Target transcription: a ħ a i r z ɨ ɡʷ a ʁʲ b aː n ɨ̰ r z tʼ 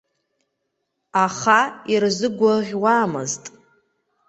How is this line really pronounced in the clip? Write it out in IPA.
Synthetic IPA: a χ a i r z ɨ ɡʷ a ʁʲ w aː m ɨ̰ z tʼ